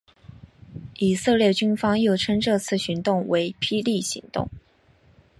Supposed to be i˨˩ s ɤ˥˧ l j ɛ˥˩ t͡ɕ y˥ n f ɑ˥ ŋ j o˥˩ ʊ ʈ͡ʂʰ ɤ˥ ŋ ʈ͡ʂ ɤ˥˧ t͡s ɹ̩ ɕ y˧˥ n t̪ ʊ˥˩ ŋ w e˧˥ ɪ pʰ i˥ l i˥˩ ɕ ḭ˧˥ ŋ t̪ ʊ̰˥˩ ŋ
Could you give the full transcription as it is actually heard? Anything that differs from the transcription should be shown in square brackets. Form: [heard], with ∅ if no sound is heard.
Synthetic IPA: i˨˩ s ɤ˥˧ l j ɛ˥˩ t͡ɕ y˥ n f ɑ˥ ŋ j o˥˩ ʊ ʈ͡ʂʰ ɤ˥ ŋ ʈ͡ʂ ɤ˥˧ [t͡sʰ] ɹ̩ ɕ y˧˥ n t̪ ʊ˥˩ ŋ w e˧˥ ɪ pʰ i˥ l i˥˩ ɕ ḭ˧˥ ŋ t̪ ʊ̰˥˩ ŋ